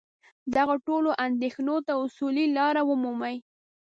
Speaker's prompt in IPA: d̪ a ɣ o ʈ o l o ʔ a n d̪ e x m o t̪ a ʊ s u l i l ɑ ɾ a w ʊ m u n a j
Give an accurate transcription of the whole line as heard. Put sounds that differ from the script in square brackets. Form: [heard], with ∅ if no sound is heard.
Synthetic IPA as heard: d̪ a ɣ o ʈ o l o ʔ a n d̪ e x [n] o t̪ a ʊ s u l i l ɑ ɾ a w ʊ m u [m] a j